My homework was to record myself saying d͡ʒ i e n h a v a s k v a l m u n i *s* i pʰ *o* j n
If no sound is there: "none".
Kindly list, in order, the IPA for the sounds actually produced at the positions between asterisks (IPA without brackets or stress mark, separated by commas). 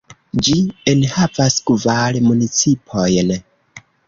t͡s, o